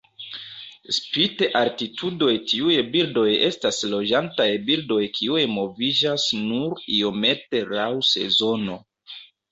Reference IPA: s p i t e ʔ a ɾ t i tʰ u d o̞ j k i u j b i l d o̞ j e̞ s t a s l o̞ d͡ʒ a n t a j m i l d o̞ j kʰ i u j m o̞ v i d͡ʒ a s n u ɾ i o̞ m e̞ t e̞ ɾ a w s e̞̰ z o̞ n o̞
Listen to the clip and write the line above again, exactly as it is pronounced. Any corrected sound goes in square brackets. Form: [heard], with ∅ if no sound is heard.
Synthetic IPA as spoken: s p i t e ʔ a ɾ t i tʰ u d o̞ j [t] i u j b i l d o̞ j e̞ s t a s l o̞ d͡ʒ a n t a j [b] i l d o̞ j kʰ i u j m o̞ v i d͡ʒ a s n u ɾ i o̞ m e̞ t e̞ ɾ a w s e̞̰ z o̞ n o̞